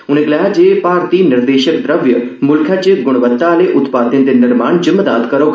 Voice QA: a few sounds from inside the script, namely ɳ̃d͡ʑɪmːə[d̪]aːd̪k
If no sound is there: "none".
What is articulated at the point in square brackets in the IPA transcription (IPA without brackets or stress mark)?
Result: d̪